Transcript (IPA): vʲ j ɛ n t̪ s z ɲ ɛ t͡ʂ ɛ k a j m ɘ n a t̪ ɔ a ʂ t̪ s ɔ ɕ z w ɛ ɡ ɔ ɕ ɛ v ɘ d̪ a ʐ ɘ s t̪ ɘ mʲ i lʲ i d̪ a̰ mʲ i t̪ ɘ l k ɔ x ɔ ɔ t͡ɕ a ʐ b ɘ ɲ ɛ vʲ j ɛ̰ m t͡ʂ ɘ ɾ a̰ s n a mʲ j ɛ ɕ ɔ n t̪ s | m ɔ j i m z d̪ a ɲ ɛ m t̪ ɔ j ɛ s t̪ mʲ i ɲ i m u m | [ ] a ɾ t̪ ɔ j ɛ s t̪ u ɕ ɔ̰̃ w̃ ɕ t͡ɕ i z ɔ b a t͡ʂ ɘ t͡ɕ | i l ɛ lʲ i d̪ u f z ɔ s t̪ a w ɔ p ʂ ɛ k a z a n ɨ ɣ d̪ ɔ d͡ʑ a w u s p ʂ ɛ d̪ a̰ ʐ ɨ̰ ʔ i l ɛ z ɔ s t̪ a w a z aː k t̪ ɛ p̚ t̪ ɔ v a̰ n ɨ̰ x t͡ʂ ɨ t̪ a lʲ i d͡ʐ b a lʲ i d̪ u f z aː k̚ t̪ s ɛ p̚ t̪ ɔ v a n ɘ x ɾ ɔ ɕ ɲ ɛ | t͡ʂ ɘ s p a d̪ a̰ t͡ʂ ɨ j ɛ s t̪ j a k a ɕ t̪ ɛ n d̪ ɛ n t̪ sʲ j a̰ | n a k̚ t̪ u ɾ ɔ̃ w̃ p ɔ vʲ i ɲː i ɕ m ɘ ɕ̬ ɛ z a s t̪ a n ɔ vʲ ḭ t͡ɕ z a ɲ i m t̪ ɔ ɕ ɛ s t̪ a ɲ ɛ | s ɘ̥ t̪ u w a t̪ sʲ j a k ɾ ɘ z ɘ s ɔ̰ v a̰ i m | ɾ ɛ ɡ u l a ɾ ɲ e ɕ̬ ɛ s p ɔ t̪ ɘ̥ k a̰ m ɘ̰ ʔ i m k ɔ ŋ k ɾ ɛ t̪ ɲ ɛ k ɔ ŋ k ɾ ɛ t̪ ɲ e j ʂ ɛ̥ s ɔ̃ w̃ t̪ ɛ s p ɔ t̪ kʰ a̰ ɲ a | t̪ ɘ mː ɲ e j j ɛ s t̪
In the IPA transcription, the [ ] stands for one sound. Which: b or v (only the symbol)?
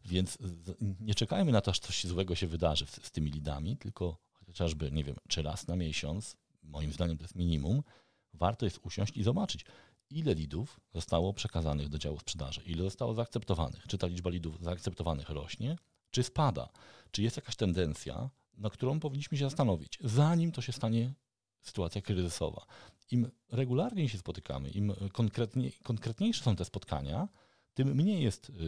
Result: v